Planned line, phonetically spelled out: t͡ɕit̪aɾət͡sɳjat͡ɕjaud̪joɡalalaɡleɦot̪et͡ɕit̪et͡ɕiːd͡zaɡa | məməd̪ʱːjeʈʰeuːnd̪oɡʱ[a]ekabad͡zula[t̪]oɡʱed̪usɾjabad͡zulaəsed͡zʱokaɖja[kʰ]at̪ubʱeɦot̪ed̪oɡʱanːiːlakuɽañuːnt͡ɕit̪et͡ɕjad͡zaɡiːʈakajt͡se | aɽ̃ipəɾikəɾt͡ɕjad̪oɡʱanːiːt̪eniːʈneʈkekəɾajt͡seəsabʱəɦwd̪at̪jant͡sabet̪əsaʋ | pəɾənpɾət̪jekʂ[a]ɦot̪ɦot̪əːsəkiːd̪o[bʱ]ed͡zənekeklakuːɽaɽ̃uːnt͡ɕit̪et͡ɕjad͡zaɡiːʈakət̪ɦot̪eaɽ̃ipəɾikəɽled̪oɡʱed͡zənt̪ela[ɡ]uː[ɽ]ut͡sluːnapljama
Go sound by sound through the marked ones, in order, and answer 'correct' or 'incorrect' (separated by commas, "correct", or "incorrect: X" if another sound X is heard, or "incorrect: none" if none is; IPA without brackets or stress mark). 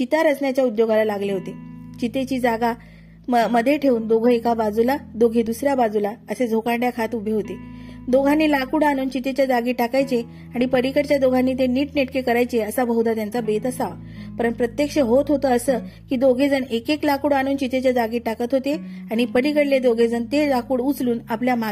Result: incorrect: ə, incorrect: d̪, correct, incorrect: ə, incorrect: ɡʱ, incorrect: k, correct